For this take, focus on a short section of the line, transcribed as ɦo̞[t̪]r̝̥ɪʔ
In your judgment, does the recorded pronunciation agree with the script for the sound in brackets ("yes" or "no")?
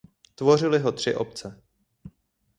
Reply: yes